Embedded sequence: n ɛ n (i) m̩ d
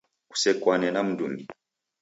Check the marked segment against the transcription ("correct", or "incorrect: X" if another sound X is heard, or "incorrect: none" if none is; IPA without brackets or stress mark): incorrect: a